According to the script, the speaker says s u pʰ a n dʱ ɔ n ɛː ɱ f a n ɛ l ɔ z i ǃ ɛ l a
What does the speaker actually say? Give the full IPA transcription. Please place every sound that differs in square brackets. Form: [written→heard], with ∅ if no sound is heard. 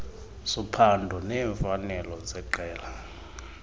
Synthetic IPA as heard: s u pʰ a n dʱ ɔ n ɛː ɱ f a n ɛ l ɔ z [i→ɛ] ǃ [ɛ→ɛː] l a